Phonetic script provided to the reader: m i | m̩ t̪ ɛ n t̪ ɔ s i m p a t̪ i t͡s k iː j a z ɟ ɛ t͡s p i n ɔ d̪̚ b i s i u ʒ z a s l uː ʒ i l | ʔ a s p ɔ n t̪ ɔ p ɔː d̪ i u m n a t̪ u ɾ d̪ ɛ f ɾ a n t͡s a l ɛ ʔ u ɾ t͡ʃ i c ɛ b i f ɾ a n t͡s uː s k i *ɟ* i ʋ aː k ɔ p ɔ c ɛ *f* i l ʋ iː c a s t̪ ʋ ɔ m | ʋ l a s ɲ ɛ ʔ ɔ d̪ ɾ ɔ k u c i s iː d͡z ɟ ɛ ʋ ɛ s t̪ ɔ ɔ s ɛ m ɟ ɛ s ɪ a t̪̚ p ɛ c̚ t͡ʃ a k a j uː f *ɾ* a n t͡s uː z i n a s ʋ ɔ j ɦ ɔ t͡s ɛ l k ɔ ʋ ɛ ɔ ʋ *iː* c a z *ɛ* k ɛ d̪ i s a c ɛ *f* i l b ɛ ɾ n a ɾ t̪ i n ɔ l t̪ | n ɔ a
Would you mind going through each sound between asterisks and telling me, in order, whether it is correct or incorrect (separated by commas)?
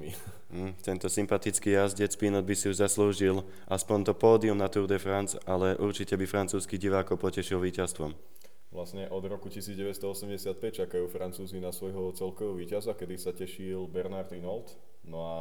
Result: correct, incorrect, correct, correct, incorrect, incorrect